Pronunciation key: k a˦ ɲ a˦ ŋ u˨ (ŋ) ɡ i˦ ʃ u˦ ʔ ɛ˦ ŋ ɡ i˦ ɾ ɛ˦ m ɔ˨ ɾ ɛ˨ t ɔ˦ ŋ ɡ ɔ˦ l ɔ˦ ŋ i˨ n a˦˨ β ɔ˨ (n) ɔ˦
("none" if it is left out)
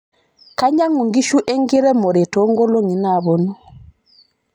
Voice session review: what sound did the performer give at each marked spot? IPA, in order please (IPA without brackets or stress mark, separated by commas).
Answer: ŋ, n